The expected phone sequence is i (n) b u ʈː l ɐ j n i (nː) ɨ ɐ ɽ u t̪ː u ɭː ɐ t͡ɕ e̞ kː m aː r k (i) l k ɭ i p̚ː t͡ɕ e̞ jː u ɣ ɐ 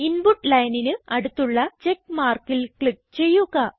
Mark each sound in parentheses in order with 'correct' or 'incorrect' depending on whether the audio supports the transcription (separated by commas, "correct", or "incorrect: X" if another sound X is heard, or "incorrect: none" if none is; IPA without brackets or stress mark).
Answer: correct, incorrect: n, correct